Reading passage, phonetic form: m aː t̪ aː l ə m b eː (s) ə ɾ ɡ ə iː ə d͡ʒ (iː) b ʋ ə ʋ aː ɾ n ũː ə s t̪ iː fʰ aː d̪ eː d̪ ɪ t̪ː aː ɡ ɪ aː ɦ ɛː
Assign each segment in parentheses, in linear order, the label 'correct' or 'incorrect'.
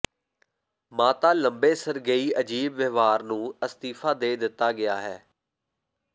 correct, correct

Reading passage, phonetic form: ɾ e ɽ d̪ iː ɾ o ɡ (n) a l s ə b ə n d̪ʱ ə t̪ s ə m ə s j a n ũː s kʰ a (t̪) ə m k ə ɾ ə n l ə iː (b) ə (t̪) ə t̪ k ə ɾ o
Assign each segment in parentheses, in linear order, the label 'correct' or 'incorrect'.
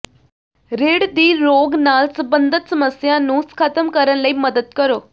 correct, correct, incorrect, incorrect

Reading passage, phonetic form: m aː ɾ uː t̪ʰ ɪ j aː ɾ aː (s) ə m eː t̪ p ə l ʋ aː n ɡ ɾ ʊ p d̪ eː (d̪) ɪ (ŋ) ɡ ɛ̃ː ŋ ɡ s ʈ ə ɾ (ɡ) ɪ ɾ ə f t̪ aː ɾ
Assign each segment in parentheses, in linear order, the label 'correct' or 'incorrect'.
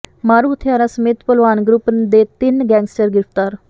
correct, incorrect, incorrect, correct

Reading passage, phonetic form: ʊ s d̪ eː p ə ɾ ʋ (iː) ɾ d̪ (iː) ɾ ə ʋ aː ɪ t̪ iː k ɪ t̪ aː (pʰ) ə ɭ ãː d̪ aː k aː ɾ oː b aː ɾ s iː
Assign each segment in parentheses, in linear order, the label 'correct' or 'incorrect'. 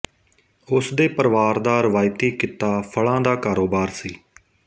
incorrect, incorrect, correct

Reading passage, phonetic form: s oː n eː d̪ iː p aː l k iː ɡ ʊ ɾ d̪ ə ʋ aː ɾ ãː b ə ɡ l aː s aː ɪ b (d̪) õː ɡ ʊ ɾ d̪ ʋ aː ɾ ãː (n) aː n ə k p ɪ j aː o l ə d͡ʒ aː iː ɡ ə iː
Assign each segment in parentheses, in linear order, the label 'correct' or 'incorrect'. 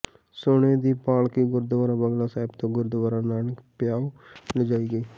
incorrect, correct

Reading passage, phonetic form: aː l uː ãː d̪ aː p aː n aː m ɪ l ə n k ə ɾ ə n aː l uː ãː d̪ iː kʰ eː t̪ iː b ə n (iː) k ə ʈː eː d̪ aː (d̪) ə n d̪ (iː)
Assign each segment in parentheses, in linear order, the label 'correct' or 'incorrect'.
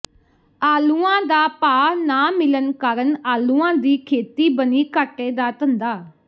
correct, incorrect, incorrect

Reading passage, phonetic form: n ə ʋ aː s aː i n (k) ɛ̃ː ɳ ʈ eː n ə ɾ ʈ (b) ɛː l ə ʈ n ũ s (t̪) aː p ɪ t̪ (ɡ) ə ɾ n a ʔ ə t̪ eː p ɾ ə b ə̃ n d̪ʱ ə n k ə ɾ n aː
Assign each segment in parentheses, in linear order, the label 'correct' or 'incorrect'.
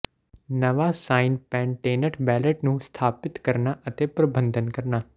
incorrect, correct, incorrect, incorrect

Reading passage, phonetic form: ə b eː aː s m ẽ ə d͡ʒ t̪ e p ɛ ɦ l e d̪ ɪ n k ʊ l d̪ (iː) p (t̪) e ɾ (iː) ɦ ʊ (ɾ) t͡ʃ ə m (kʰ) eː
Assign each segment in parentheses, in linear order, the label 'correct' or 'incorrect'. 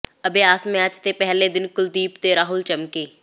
correct, correct, incorrect, incorrect, incorrect

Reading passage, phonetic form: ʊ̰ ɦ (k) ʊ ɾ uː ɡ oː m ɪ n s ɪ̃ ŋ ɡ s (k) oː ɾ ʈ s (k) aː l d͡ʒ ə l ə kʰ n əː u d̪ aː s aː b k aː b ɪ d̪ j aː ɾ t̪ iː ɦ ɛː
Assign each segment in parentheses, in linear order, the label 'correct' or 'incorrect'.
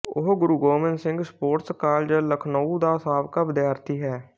incorrect, incorrect, correct

